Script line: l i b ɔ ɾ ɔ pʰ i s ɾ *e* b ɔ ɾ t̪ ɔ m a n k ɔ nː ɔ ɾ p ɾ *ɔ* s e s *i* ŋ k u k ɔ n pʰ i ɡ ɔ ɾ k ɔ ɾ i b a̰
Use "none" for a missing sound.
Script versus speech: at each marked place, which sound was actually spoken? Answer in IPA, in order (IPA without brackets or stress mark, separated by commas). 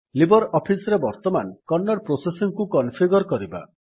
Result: e, o, i